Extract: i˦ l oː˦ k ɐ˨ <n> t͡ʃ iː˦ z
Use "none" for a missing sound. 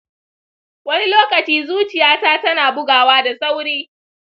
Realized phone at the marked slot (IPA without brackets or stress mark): none